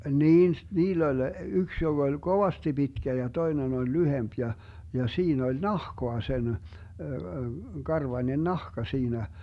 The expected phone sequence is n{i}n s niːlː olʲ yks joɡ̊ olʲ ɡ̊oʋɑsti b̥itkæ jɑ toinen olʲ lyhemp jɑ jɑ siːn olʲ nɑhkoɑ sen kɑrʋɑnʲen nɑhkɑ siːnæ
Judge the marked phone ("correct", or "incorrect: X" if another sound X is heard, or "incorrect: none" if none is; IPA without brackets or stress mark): incorrect: iː